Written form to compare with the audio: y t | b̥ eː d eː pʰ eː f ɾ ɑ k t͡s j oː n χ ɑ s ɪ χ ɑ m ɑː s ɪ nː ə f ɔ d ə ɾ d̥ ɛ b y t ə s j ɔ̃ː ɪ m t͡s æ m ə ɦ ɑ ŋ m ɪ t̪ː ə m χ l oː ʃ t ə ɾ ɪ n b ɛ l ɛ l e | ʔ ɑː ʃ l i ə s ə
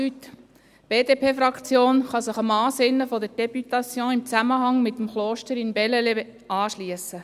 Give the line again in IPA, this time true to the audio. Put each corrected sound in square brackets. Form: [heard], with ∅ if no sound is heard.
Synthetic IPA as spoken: y t | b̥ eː d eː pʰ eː f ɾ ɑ k t͡s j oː n χ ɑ s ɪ χ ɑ m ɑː s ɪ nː ə f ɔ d ə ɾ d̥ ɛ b y t [ɑ] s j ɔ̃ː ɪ m t͡s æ m ə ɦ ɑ ŋ m ɪ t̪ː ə m χ l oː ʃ t ə ɾ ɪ n b ɛ l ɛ l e | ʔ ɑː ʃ l i ə s ə